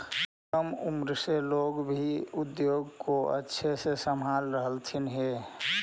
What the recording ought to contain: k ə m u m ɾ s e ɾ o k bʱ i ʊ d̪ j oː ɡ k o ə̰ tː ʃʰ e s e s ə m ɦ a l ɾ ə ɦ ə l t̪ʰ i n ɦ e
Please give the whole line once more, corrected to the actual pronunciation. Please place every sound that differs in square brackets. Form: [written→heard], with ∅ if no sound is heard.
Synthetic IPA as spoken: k ə m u m ɾ s e [ɾ→l] o [k→ɡ] bʱ i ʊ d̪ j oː ɡ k o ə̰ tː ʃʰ e s e s ə m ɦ a l ɾ ə ɦ ə l t̪ʰ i n ɦ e